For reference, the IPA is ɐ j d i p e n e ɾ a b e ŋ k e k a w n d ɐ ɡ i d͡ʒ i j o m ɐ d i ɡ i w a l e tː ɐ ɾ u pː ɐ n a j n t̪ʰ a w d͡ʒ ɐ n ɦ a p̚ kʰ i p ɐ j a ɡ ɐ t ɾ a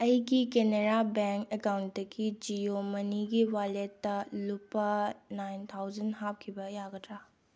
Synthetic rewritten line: ɐ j ɡ i k e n e ɾ a b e ŋ k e k a w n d ɐ ɡ i d͡ʒ i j o m ɐ n i ɡ i w a l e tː ɐ l u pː ɐ n a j n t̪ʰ a w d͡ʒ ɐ n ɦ a p̚ kʰ i b ɐ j a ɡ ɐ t ɾ a